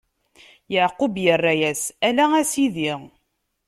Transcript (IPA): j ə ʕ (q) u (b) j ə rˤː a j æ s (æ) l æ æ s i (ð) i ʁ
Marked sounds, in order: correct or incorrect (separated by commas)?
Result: correct, correct, correct, correct